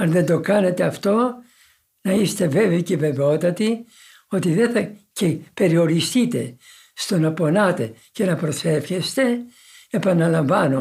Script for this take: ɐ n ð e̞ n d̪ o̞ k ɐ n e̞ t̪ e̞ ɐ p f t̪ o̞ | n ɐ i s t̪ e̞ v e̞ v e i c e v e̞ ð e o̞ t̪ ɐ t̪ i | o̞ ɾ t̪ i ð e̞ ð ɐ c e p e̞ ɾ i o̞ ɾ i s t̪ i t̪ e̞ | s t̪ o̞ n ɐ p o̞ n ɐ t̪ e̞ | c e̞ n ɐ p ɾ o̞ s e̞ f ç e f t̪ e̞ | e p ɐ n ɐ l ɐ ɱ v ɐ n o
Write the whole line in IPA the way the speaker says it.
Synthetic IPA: ɐ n ð e̞ n d̪ o̞ k ɐ n e̞ t̪ e̞ ɐ f t̪ o̞ | n ɐ i s t̪ e̞ v e̞ v e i c e v e̞ v e o̞ t̪ ɐ t̪ i | o̞ t̪ i ð e̞ θ ɐ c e p e̞ ɾ i o̞ ɾ i s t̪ i t̪ e̞ | s t̪ o̞ n ɐ p o̞ n ɐ t̪ e̞ | c e̞ n ɐ p ɾ o̞ s e̞ f ç e s t̪ e̞ | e p ɐ n ɐ l ɐ ɱ v ɐ n o